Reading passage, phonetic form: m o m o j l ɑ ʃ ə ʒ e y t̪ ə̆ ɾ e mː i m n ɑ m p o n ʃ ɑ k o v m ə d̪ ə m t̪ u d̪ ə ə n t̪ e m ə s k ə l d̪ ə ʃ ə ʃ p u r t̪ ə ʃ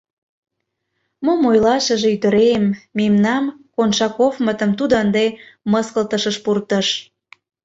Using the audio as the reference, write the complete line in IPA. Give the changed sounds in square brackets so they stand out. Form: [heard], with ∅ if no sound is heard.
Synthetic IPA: m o m o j l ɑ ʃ ə ʒ e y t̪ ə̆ ɾ e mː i m n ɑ m [k] o n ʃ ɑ k o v m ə [t̪] ə m t̪ u d̪ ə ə n [d̪] e m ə s k ə l [t̪] ə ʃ ə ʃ p u r t̪ ə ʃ